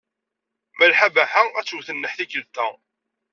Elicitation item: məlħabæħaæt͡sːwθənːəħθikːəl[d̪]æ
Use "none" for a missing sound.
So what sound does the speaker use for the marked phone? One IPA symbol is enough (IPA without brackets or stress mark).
t̪